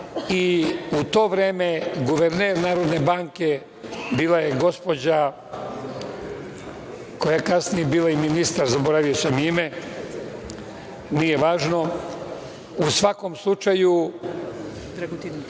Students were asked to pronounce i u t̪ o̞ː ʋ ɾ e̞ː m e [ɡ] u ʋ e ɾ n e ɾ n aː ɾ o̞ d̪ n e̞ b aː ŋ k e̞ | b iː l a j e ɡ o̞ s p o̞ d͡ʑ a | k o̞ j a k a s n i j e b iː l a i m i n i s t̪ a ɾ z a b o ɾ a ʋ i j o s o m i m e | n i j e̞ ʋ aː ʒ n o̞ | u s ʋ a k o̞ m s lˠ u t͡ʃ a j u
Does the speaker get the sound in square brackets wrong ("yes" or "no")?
no